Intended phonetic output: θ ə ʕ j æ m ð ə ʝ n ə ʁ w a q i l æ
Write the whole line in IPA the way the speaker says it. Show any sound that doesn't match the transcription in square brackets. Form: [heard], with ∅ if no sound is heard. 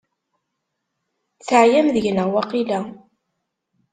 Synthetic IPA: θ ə ʕ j æ m ð ə ʝ n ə ʁ w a q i l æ